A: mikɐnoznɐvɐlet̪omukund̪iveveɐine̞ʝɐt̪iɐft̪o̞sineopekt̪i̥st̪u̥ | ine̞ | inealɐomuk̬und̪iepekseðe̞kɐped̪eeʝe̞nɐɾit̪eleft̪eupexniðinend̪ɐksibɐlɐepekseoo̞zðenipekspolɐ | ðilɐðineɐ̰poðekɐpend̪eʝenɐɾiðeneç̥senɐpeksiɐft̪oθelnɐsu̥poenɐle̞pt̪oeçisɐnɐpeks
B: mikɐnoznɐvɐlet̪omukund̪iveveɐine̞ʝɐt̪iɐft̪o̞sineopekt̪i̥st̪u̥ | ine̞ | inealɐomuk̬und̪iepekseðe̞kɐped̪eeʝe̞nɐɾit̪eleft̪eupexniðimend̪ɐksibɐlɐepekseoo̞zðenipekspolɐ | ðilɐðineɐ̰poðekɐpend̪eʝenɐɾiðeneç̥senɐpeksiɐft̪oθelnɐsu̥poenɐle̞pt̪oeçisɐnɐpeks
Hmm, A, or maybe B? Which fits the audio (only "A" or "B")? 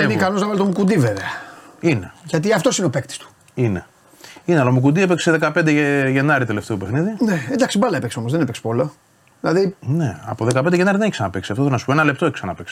A